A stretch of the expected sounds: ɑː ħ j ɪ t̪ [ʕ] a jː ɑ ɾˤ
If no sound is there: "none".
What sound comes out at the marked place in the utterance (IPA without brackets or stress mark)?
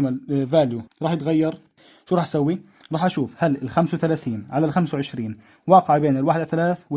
ɣ